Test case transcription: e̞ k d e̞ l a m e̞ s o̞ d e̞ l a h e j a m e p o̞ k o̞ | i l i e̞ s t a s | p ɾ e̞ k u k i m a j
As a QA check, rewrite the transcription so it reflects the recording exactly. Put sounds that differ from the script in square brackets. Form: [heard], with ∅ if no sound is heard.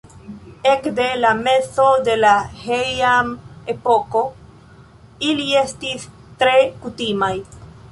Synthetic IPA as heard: e̞ k d e̞ l a m e̞ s o̞ d e̞ l a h e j a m e p o̞ k o̞ | i l i e̞ s t [i] s | [t] ɾ e̞ k u [t] i m a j